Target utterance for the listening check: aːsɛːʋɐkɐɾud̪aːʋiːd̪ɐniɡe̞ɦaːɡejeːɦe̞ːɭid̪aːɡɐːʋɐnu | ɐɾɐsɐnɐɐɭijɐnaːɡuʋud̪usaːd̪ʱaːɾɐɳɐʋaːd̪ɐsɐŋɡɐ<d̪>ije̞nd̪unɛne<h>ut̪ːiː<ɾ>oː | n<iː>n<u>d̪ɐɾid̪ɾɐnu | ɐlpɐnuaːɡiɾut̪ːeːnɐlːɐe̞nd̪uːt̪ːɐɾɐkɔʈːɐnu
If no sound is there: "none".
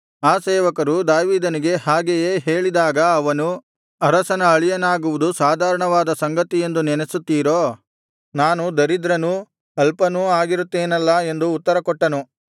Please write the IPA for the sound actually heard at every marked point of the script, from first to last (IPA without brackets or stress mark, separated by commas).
t̪, s, ɾ, aː, u